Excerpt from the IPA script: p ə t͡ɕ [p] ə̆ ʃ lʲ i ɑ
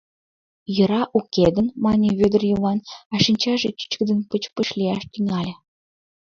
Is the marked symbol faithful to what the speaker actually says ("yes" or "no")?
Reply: yes